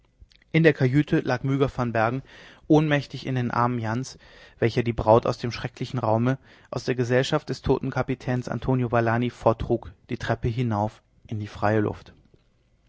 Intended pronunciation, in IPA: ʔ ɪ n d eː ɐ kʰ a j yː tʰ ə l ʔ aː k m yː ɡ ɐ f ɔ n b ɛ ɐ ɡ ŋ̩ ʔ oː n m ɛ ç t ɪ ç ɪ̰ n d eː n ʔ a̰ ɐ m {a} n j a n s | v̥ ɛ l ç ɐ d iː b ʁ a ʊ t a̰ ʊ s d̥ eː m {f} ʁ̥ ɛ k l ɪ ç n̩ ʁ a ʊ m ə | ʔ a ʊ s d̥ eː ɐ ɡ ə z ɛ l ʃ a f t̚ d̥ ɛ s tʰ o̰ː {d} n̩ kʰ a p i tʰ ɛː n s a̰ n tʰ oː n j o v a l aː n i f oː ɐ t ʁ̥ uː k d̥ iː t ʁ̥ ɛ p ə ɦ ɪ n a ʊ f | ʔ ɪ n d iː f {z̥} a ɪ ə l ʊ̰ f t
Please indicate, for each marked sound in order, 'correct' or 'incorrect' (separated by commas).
incorrect, incorrect, incorrect, incorrect